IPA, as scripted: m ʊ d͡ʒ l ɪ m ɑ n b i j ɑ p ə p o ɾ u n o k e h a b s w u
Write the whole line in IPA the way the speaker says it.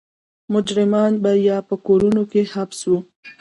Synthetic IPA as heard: m ʊ d͡ʒ ɾ ɪ m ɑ n b a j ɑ p ə k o ɾ u n o k e h a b s w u